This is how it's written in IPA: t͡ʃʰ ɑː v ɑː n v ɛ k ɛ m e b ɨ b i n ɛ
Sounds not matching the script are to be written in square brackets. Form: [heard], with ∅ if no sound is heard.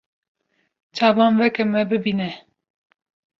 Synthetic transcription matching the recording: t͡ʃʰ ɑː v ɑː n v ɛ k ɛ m [ɛ] b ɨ b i n ɛ